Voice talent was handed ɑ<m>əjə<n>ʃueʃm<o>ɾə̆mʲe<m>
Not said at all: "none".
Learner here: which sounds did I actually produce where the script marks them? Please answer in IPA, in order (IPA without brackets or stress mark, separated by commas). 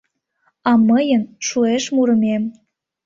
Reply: m, n, u, m